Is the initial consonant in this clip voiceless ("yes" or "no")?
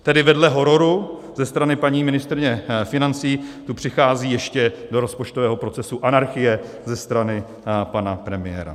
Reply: yes